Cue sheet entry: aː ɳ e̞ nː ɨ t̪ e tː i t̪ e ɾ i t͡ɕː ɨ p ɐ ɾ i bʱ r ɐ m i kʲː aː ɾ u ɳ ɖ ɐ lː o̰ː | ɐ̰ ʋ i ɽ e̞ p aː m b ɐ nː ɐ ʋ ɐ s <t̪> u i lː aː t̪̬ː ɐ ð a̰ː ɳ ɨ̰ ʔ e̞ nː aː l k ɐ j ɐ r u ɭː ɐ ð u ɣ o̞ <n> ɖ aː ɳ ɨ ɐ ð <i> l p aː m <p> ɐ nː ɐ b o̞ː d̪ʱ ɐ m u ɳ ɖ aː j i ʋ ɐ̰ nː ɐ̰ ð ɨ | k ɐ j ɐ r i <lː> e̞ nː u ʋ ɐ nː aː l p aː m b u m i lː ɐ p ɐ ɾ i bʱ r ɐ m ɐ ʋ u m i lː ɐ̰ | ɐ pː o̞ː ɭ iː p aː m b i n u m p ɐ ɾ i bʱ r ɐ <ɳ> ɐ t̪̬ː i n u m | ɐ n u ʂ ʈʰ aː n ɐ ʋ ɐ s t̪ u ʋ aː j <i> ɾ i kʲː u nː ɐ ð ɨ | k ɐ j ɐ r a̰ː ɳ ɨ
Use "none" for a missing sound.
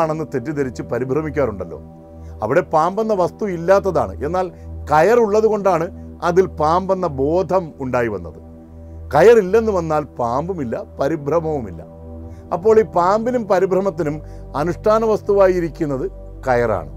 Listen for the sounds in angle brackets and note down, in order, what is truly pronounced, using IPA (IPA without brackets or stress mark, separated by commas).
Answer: t̪, ɳ, i, b, lː, m, i